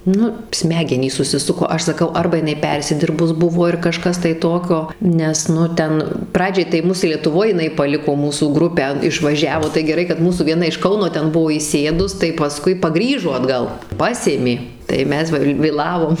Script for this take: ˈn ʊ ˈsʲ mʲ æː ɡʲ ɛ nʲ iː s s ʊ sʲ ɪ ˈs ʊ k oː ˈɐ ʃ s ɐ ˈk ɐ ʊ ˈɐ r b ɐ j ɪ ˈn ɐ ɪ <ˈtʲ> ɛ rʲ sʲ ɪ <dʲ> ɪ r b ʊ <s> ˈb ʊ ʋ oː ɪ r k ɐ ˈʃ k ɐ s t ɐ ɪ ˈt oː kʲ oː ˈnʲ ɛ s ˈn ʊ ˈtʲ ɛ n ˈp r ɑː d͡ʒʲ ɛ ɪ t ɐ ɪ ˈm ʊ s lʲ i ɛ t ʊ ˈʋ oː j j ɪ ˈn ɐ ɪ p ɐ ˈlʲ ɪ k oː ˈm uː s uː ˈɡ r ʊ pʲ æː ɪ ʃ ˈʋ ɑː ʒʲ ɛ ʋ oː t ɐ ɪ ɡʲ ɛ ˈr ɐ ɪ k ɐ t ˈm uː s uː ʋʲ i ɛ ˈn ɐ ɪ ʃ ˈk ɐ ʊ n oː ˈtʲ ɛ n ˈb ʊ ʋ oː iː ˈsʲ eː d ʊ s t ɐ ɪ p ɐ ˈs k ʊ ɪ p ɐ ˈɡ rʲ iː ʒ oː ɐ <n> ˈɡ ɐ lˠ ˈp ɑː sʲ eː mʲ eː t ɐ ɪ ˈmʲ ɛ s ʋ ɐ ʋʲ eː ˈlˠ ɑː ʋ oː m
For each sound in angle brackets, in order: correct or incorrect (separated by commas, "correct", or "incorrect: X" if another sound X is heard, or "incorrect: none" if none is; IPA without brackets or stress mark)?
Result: incorrect: pʲ, correct, correct, incorrect: d